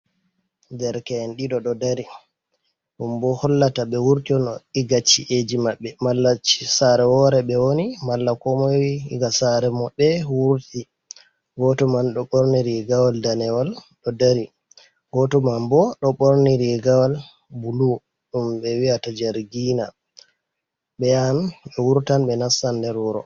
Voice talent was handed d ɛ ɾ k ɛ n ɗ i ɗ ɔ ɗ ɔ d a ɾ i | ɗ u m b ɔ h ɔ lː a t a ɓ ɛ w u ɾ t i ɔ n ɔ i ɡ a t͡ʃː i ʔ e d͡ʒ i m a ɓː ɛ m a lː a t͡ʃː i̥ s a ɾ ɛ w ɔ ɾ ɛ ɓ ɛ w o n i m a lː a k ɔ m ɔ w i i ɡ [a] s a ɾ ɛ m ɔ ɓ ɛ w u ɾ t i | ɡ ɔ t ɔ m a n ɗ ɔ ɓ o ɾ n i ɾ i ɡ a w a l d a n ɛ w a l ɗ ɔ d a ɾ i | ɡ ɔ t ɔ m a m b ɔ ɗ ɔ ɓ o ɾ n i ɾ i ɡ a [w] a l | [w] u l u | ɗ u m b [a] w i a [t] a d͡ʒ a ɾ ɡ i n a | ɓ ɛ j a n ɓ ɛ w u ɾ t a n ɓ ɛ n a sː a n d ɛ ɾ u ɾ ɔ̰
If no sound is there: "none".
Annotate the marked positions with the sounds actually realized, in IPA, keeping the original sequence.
a, w, b, ɛ, t

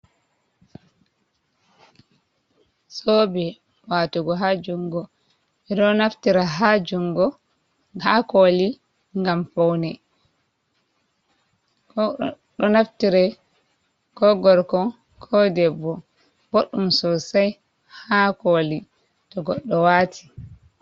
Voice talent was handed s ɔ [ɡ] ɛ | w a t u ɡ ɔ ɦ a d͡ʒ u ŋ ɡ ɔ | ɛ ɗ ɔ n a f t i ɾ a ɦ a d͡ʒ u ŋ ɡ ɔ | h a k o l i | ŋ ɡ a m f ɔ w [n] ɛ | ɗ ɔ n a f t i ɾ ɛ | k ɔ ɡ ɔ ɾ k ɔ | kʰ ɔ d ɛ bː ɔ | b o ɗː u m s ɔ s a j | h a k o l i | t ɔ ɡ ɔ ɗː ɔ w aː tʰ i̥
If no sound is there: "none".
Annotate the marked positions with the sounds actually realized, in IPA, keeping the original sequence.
b, n

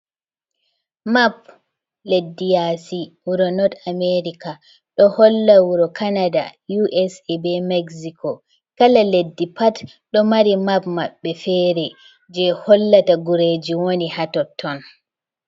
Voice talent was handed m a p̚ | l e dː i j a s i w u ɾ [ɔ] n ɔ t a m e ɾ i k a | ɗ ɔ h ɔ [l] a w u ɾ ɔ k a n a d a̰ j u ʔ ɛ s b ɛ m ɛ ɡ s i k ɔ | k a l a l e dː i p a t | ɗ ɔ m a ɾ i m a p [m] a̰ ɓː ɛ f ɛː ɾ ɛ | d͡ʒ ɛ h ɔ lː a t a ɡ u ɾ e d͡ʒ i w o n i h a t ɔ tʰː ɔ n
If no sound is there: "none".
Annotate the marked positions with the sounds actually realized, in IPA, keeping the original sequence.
ɔ, lː, m

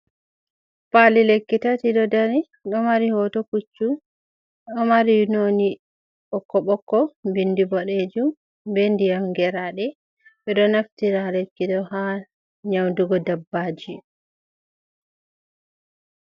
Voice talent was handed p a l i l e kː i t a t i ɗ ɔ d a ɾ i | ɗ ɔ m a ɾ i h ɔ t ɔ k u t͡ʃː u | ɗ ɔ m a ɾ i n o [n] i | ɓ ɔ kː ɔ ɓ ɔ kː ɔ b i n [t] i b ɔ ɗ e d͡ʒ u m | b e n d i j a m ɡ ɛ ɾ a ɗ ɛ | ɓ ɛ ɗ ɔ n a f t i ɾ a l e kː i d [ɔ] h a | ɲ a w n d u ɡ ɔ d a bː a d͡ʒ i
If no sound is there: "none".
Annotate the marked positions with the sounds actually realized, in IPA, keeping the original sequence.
n, d, ɔ

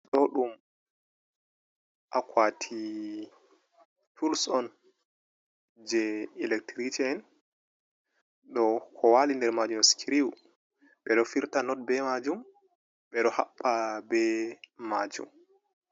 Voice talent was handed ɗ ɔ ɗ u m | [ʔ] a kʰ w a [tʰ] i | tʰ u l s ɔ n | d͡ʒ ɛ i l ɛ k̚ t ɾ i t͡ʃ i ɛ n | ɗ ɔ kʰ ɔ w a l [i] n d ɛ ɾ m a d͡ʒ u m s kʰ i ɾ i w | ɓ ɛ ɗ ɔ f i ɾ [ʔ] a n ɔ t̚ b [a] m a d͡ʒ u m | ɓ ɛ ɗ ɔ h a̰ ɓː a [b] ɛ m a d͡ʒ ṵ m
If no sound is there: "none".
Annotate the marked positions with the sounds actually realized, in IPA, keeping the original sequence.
ʔ, tʰ, i, t, ɛ, b

